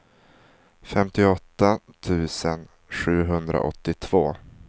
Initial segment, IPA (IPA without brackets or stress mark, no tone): f